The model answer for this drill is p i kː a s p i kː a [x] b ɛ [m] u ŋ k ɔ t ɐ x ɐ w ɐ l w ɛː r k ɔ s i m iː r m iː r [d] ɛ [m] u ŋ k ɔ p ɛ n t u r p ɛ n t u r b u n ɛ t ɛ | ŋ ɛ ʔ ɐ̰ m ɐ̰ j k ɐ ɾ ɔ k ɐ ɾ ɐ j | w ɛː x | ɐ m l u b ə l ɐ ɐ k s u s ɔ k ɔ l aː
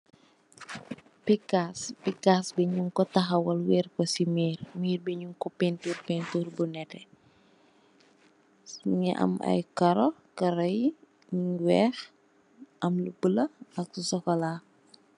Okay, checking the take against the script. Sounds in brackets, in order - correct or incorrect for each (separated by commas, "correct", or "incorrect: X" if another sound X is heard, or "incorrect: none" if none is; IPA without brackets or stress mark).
incorrect: s, incorrect: ɲ, incorrect: b, incorrect: ɲ